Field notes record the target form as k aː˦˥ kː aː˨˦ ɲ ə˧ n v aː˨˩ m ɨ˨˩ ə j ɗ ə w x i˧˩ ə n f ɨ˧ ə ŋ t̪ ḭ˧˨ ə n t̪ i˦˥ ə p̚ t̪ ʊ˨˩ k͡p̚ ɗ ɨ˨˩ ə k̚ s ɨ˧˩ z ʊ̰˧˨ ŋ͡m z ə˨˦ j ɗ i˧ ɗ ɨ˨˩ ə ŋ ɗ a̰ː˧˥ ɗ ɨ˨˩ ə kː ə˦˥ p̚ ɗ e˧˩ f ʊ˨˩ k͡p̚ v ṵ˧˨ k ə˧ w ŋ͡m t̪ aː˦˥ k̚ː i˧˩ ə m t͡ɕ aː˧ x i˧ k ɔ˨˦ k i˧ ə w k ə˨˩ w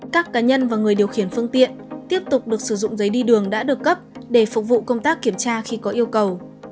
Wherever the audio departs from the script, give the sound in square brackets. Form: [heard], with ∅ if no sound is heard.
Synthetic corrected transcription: k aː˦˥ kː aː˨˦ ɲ ə˧ n v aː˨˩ [ŋ] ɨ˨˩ ə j ɗ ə w x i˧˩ ə n f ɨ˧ ə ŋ t̪ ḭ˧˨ ə n t̪ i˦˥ ə p̚ t̪ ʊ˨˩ k͡p̚ ɗ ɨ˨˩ ə k̚ s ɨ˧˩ z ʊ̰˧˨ ŋ͡m z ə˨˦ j ɗ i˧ ɗ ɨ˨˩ ə ŋ ɗ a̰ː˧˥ ɗ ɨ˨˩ ə kː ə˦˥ p̚ ɗ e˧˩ f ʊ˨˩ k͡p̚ v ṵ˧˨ k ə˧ w ŋ͡m t̪ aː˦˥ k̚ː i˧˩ ə m t͡ɕ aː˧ x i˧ k ɔ˨˦ [ʔ] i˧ ə w k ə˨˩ w